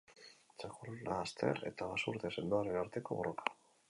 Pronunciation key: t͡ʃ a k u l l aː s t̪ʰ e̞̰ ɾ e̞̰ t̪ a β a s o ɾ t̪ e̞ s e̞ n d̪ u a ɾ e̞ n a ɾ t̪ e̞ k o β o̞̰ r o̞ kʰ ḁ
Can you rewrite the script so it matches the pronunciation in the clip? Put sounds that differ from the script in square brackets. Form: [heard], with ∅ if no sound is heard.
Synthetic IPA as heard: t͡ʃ a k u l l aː s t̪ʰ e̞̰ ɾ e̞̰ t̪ a β a s [u] ɾ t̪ e̞ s e̞ n d̪ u a ɾ e̞ n a ɾ t̪ e̞ k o β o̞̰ r o̞ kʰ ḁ